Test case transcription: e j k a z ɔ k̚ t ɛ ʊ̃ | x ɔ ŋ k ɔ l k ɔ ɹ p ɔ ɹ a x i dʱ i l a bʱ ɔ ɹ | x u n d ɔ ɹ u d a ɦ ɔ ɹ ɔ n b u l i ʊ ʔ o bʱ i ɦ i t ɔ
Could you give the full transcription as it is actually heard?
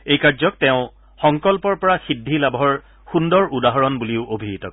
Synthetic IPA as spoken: e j k a z ɔ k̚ t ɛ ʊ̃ | x ɔ ŋ k ɔ l p ɔ ɹ p ɔ ɹ a x i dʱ i l a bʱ ɔ ɹ | x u n d ɔ ɹ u d a ɦ ɔ ɹ ɔ n b u l i ʊ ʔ o bʱ i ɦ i t ɔ